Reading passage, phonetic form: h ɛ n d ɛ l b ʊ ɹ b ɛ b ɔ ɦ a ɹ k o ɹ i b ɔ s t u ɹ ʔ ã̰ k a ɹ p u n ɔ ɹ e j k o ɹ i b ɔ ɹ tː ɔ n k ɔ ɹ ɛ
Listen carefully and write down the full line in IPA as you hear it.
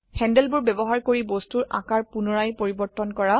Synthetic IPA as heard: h ɛ n d ɛ l b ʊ ɹ b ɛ b ɔ ɦ a ɹ k o ɹ i b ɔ s t u ɹ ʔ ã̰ k a ɹ p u n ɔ ɹ a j p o ɹ i b ɔ ɹ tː ɔ n k ɔ ɹ a